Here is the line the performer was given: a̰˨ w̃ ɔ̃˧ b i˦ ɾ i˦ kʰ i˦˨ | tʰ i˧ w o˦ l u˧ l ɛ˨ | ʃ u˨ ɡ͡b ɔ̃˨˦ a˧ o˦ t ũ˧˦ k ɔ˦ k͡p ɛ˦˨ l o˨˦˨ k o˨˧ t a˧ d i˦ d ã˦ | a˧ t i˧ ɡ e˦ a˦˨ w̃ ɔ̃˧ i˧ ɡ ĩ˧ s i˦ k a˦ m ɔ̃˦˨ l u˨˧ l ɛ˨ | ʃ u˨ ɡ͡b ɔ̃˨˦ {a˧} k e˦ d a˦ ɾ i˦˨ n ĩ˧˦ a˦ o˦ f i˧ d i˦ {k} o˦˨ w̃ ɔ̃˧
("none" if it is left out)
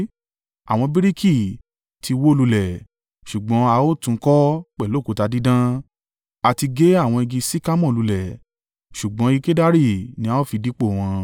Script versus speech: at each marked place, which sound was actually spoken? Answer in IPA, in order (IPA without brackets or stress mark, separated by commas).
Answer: i˧, k͡p